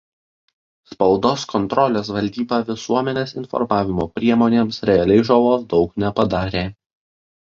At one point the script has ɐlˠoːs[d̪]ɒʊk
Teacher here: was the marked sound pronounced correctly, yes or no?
yes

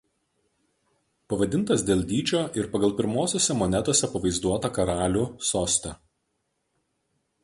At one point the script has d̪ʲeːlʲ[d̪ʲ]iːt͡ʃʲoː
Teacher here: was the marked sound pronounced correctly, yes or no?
yes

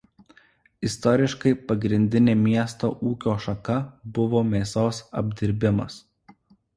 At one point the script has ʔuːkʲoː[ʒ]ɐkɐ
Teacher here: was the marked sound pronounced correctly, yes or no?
no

